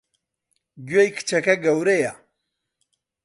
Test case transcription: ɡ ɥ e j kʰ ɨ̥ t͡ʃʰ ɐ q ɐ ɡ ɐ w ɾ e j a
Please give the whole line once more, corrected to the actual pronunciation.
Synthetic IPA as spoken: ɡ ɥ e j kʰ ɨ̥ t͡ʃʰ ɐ k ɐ ɡ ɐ w ɾ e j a